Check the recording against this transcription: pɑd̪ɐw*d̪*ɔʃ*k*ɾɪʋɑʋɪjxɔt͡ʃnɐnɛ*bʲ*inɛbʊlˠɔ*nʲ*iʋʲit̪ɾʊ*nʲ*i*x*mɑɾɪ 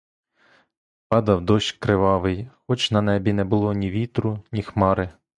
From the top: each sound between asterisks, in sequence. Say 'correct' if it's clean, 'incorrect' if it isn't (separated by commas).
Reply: correct, correct, correct, correct, correct, correct